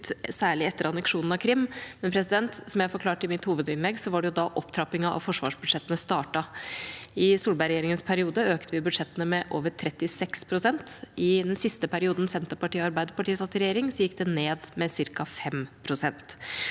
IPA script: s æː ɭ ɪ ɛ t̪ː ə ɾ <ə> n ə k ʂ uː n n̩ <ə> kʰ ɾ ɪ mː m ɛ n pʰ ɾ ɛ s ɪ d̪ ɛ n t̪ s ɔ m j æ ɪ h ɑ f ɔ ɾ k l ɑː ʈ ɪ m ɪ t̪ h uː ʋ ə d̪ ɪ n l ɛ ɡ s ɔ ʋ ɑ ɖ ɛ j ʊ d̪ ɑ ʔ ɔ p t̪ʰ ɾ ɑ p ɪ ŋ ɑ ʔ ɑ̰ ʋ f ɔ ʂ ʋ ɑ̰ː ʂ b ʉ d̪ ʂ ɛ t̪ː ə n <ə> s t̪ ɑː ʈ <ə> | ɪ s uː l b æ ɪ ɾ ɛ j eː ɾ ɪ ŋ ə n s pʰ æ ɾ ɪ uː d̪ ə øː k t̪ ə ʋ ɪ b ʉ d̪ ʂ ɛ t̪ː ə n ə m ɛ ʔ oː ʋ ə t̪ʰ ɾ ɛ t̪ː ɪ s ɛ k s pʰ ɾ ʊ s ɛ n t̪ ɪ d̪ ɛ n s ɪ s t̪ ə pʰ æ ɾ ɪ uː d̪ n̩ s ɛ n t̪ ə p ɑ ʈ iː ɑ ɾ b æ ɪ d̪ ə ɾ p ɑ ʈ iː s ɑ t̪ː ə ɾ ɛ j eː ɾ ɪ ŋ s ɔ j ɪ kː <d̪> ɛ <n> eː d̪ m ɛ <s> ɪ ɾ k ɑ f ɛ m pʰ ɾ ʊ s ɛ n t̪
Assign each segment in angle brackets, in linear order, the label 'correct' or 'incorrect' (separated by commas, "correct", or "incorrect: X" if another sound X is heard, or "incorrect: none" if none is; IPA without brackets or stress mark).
incorrect: ɑ, incorrect: ɑ, correct, incorrect: ɑ, correct, correct, correct